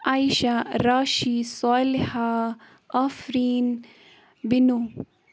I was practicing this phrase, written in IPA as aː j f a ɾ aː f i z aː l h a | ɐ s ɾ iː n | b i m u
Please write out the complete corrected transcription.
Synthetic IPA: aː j ʃ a ɾ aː ʃ i s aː l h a | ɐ f ɾ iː n | b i n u